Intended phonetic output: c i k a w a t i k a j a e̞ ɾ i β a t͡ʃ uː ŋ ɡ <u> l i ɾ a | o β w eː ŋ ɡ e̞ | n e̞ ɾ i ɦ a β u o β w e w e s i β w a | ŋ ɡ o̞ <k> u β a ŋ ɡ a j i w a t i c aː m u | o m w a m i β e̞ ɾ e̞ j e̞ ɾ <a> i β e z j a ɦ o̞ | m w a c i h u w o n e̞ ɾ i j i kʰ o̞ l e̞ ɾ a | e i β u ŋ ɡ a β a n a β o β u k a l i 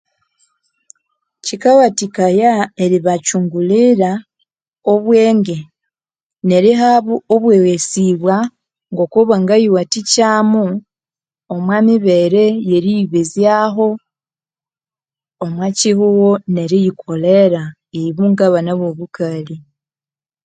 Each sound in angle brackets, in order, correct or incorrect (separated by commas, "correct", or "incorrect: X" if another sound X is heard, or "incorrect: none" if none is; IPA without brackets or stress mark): correct, correct, incorrect: i